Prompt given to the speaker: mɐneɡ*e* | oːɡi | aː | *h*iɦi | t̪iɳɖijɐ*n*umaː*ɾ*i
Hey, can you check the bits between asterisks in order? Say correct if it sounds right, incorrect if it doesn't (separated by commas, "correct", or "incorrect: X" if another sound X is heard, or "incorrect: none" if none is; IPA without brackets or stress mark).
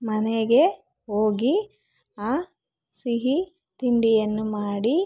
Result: correct, incorrect: s, incorrect: nː, incorrect: ɽ